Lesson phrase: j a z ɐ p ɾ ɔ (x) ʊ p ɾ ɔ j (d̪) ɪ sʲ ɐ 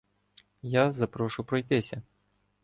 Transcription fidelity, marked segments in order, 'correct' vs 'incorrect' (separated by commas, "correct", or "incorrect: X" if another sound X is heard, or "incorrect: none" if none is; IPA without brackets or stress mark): incorrect: ʃ, incorrect: t̪